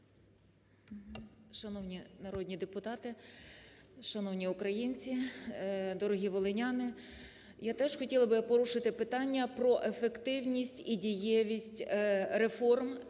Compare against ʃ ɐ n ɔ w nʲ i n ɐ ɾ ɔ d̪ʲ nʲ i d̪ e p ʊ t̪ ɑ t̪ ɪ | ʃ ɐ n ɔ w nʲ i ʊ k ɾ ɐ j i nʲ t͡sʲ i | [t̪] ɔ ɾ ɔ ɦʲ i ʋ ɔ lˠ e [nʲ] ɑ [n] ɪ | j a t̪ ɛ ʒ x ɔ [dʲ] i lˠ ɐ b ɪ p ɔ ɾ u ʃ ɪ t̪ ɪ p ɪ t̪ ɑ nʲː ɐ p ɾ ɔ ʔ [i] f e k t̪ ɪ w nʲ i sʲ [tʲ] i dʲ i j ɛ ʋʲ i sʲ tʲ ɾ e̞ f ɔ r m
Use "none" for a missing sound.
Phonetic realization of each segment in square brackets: d̪, nʲ, n, tʲ, e, tʲ

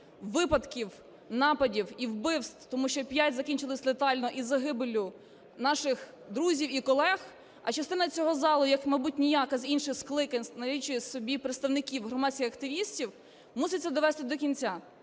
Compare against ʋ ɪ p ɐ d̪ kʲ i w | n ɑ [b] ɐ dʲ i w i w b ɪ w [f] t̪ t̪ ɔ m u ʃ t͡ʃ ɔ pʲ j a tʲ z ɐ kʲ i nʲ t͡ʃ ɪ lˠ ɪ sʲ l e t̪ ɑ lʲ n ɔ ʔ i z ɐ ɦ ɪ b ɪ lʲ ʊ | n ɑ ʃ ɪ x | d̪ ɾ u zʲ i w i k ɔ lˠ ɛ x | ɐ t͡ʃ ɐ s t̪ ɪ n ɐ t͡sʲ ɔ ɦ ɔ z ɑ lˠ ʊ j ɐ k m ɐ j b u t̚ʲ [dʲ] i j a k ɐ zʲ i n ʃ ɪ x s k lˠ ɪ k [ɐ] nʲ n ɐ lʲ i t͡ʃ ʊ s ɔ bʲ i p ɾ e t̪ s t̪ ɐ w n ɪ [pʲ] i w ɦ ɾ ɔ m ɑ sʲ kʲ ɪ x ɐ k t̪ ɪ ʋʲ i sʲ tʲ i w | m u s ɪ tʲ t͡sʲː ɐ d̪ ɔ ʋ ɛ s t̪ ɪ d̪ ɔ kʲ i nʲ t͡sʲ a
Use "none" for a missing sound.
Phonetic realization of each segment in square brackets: p, s, nʲ, ɐ, kʲ

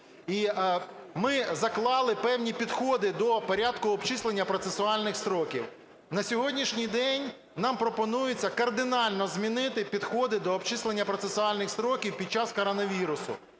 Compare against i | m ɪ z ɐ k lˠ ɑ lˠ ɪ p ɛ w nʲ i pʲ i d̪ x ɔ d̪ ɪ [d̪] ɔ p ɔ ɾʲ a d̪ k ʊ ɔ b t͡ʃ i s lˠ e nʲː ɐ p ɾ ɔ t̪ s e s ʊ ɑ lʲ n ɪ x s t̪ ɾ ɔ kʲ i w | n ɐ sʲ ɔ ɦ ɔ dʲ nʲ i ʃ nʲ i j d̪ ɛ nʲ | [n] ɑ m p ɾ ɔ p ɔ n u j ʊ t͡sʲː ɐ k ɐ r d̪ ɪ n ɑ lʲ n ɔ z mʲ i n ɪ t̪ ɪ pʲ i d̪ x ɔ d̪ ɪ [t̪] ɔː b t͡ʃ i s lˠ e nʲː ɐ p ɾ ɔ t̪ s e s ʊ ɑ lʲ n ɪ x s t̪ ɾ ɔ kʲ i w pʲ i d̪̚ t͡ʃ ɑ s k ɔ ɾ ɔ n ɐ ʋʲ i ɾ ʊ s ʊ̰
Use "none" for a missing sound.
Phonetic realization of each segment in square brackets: d̪, n, d̪

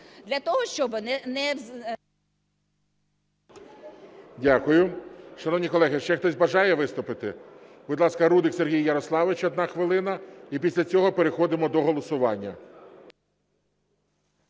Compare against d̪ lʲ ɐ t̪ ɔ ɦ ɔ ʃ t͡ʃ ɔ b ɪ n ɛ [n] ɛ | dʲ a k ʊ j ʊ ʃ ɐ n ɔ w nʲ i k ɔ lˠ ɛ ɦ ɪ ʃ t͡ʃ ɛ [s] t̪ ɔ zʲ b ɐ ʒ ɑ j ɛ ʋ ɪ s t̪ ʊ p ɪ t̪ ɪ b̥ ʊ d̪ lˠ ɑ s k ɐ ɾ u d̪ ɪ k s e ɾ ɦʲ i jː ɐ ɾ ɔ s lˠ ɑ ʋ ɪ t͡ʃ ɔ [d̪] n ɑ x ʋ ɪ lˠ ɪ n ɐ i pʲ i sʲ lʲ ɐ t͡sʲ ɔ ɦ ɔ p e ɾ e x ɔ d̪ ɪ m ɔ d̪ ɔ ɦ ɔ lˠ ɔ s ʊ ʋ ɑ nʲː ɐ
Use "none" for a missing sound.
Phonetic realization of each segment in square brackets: n, x, d̪

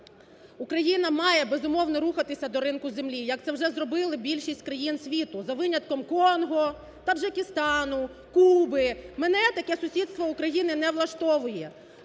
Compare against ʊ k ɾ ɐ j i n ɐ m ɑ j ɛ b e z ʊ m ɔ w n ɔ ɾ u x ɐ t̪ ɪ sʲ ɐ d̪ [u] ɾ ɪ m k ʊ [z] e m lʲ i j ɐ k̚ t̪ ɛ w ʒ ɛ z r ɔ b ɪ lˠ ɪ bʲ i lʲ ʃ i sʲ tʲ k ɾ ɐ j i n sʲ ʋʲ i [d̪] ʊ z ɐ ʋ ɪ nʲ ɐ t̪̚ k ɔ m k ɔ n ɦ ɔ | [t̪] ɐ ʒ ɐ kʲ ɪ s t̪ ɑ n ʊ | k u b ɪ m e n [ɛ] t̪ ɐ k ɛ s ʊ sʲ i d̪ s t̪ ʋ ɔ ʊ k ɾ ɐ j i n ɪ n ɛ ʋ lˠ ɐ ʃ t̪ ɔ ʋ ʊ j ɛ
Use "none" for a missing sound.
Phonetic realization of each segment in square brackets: ɔ, z, t̪, t̪, ɛ

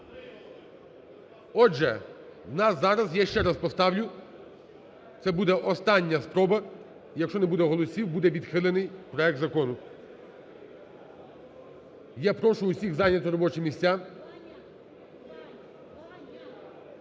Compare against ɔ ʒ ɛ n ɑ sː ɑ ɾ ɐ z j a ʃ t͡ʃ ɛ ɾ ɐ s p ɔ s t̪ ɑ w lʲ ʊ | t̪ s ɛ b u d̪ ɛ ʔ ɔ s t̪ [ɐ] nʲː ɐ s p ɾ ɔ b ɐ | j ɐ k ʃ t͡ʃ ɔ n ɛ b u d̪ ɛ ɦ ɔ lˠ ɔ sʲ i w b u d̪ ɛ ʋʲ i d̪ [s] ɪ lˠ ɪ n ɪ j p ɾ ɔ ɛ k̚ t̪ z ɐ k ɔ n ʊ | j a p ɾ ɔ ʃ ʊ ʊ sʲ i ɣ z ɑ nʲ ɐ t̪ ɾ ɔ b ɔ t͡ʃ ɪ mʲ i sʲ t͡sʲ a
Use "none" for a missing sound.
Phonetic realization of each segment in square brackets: ɑ, x

